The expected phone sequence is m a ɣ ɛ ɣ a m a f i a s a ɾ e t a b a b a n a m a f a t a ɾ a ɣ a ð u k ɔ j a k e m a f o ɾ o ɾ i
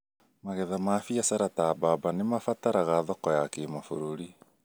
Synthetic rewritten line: m a ɣ ɛ ð a m a f i a s a ɾ a t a b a b a n e m a f a t a ɾ a ɣ a ð ɔ k ɔ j a k e m a f o ɾ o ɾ i